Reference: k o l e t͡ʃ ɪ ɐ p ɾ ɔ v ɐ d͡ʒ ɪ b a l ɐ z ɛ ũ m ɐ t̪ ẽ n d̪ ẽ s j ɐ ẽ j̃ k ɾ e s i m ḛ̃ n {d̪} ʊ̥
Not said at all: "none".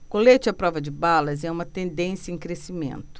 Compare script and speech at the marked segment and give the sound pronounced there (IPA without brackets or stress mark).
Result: t̪